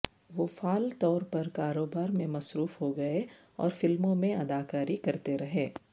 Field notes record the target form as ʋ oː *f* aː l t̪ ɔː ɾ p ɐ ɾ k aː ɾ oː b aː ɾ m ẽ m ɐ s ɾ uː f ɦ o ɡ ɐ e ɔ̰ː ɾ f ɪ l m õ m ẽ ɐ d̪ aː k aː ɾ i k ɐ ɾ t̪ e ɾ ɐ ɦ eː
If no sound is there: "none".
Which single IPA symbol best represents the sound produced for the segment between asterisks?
f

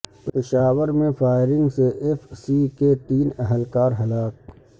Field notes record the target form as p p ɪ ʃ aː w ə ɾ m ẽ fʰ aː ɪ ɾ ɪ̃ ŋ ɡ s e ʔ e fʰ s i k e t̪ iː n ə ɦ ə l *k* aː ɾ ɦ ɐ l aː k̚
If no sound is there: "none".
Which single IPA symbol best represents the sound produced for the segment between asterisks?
k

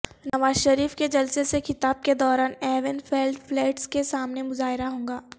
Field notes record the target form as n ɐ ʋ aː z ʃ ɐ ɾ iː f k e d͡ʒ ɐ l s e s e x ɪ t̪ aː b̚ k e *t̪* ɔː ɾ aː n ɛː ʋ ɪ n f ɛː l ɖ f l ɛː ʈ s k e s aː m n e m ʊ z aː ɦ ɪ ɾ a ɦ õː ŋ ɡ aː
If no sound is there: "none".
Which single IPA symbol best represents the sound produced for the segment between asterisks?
d̪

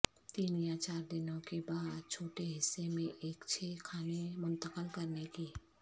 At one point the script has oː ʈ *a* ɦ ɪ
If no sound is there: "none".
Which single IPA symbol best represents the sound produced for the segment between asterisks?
e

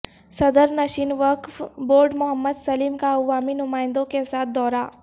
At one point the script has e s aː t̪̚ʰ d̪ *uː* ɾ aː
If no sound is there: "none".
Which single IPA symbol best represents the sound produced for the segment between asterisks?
ɔː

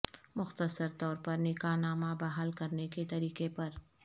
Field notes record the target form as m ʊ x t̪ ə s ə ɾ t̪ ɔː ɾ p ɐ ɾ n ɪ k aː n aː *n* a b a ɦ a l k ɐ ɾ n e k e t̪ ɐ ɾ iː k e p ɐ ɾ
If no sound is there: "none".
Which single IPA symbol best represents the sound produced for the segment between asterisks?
m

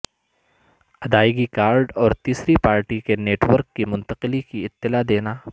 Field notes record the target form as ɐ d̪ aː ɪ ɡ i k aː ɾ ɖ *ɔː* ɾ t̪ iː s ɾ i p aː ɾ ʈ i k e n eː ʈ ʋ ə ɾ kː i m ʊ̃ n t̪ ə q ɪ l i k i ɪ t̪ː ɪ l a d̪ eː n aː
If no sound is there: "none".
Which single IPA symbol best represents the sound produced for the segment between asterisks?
ɔː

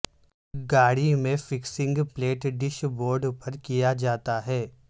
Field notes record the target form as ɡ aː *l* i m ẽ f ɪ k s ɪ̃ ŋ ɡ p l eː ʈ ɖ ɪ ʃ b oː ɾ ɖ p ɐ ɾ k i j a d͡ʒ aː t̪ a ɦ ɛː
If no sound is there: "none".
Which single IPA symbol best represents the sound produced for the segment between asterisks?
ɽ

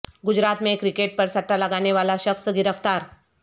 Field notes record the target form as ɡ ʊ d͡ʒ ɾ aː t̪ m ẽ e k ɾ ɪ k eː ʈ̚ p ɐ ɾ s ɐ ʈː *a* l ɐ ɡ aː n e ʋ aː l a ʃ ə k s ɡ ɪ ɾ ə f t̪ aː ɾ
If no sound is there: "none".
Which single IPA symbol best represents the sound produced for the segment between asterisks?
a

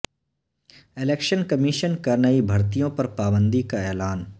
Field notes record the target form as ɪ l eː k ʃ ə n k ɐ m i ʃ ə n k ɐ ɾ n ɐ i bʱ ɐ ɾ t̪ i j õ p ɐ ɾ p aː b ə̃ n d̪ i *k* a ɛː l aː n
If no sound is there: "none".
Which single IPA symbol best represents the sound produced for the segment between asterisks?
k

